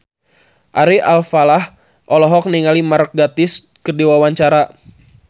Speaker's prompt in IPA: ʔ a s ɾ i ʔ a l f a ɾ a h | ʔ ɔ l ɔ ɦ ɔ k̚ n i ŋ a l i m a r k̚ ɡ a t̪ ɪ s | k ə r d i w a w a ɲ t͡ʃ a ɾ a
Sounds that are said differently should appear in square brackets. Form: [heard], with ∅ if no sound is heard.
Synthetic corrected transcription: ʔ a [∅] ɾ i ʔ a l f a [l] a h | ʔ ɔ l ɔ ɦ ɔ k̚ n i ŋ a l i m a r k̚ ɡ a t̪ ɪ s | k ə r d i w a w a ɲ t͡ʃ a ɾ a